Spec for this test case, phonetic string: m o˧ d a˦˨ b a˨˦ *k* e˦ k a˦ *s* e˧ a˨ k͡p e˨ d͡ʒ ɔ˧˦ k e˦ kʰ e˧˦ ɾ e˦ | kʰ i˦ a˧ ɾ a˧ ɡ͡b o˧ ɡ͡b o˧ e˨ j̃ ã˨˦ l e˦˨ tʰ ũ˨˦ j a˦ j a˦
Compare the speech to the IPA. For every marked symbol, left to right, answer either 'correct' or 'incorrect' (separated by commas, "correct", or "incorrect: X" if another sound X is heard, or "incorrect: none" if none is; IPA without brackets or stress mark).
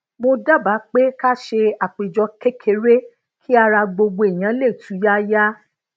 incorrect: k͡p, incorrect: ʃ